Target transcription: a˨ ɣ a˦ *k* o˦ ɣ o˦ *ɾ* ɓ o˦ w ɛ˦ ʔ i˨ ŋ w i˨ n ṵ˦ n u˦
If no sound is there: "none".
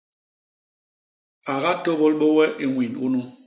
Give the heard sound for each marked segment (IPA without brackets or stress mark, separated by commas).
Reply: t, l